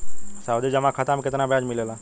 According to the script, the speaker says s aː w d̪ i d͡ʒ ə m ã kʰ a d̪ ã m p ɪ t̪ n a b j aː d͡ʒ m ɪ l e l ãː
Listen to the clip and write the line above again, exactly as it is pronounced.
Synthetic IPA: s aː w d̪ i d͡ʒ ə m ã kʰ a t̪ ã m k ɪ t̪ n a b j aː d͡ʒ m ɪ l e l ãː